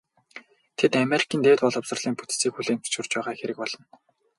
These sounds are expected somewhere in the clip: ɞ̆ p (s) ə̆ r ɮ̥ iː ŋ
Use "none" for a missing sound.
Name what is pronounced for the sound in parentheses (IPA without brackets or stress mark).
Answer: s